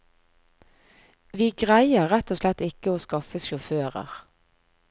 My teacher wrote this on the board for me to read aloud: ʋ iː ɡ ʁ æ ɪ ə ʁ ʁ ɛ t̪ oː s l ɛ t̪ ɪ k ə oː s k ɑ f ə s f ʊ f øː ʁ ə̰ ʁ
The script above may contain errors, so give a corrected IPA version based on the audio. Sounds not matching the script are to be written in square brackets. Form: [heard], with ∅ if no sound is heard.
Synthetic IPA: ʋ iː ɡ ʁ æ ɪ ə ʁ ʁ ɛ t̪ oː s l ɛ t̪ ɪ k ə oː s k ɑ f ə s [ʃ] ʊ f øː ʁ ə̰ ʁ